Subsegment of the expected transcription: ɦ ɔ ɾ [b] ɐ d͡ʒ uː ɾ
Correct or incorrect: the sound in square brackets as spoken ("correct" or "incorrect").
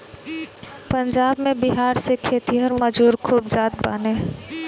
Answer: incorrect